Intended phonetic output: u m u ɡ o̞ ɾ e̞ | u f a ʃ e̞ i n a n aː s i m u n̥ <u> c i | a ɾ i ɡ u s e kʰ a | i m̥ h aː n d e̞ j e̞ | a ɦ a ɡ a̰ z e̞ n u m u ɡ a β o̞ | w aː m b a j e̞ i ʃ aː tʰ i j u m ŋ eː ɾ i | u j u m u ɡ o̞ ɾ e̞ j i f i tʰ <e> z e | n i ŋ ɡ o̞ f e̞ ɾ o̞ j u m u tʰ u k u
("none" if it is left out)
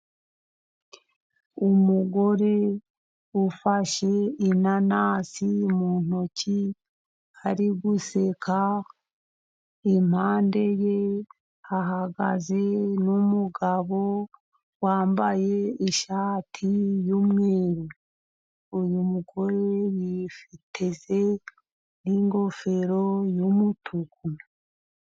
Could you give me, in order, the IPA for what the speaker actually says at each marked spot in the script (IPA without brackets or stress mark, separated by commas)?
o, e